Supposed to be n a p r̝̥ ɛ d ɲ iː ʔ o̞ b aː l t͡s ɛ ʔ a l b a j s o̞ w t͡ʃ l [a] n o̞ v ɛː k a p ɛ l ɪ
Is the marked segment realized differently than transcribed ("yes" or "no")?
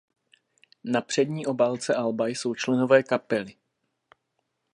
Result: yes